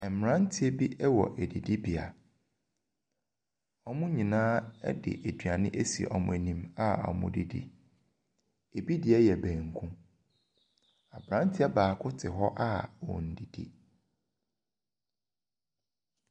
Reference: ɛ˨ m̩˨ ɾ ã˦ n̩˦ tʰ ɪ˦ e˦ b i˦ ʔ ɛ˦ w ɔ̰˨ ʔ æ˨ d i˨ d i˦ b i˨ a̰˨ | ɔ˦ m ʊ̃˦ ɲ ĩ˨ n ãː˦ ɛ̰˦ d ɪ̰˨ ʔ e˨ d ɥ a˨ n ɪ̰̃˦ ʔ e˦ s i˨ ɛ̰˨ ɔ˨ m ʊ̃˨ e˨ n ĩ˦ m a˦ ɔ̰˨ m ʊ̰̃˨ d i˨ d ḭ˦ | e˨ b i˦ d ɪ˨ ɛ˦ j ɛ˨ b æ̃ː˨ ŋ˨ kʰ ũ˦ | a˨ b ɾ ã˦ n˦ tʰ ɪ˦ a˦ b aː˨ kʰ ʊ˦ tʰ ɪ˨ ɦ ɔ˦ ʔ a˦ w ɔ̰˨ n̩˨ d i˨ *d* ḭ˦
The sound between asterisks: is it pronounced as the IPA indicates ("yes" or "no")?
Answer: yes